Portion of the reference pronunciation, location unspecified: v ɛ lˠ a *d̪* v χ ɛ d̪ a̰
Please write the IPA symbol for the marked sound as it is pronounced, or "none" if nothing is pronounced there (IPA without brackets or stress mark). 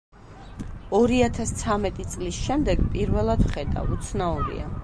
d̪